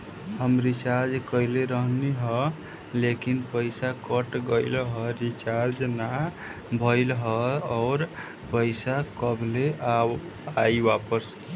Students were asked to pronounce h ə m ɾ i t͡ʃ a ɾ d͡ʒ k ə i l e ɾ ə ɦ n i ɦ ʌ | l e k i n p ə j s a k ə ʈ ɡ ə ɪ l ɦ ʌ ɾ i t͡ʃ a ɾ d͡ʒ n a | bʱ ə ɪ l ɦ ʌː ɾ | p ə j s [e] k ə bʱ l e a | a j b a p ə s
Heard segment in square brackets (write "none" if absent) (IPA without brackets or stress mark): a